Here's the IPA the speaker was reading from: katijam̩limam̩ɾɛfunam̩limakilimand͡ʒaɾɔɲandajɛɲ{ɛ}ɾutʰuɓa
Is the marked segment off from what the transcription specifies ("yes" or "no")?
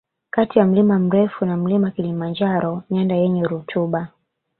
no